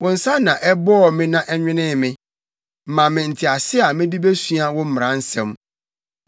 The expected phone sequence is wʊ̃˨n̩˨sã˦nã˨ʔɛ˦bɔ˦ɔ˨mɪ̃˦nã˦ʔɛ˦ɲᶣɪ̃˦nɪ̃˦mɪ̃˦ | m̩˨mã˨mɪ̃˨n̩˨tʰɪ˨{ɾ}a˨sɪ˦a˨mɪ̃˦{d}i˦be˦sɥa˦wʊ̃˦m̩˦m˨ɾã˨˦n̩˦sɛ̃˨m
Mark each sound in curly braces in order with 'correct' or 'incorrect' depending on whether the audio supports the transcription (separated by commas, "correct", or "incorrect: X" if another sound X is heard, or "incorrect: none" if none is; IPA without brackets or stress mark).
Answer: incorrect: none, correct